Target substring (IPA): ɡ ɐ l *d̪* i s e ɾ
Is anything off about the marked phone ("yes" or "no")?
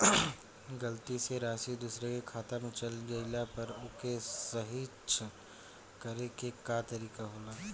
yes